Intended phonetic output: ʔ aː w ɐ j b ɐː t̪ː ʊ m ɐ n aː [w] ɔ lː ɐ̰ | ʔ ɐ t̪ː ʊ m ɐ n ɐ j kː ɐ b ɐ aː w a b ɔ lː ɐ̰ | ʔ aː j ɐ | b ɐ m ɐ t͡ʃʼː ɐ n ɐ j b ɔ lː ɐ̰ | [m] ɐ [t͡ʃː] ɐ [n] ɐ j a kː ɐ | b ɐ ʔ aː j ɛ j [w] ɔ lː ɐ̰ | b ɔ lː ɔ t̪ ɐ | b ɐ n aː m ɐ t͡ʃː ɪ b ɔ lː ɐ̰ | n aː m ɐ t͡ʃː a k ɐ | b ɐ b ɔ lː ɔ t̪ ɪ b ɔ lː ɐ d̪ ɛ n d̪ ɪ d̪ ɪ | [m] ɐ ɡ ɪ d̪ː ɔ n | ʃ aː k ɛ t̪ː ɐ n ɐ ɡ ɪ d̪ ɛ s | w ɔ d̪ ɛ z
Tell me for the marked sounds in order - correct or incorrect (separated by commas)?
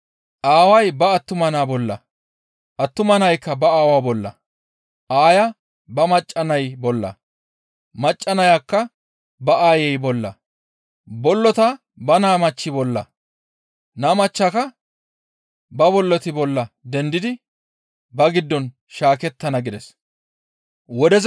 incorrect, correct, incorrect, correct, incorrect, incorrect